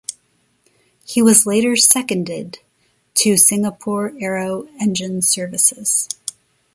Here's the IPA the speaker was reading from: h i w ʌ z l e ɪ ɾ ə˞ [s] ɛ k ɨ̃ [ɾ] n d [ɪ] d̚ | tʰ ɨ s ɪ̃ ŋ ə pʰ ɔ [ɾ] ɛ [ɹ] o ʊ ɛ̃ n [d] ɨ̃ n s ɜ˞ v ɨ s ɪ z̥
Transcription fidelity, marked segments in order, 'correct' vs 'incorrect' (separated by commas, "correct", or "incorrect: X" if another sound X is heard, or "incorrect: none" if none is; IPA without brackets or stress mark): correct, incorrect: none, correct, incorrect: ɹ, correct, incorrect: d͡ʒ